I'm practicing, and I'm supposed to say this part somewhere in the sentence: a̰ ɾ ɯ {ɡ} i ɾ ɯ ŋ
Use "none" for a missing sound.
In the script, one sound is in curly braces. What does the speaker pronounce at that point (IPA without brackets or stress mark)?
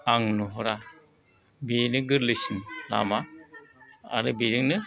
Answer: b